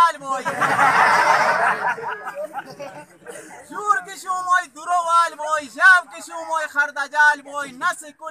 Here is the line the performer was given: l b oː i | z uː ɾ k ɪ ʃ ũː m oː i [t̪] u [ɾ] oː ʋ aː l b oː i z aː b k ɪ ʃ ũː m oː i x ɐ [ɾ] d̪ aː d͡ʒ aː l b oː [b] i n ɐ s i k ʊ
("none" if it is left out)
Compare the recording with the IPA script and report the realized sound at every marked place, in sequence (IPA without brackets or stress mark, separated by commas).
d̪, ɾ, ɾ, none